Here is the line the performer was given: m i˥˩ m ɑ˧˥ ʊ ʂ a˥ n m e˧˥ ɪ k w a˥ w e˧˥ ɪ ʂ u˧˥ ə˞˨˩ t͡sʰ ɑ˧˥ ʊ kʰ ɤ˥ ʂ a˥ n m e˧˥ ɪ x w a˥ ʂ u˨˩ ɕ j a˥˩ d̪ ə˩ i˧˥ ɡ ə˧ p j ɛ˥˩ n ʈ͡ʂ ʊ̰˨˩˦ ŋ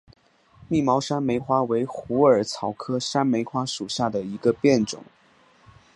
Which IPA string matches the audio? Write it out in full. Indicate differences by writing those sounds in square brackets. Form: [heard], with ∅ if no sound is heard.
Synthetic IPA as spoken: m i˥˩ m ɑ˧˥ ʊ ʂ a˥ n m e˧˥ ɪ [x] w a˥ w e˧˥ ɪ [x] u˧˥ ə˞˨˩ t͡sʰ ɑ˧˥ ʊ kʰ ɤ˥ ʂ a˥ n m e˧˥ ɪ x w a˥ ʂ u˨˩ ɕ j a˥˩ d̪ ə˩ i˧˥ ɡ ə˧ p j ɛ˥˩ n ʈ͡ʂ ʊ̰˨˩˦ ŋ